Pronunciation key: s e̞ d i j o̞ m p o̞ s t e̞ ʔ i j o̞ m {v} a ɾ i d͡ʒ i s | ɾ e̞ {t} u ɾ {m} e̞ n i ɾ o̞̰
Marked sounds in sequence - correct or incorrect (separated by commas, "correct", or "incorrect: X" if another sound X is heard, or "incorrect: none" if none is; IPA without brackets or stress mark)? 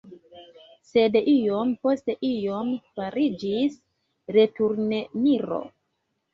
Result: incorrect: f, correct, incorrect: n